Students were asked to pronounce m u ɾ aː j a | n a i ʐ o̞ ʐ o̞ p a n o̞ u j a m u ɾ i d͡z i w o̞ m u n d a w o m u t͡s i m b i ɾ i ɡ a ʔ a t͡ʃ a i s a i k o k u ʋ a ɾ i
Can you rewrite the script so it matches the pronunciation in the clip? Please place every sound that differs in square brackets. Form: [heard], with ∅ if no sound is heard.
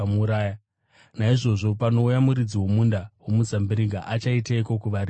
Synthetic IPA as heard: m u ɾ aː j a | n a i ʐ o̞ ʐ o̞ p a n o̞ u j a m u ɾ i d͡z i w o̞ m u n d a w o m u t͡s [a] m b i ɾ i ɡ a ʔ a t͡ʃ a i [t] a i k o k u ʋ a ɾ i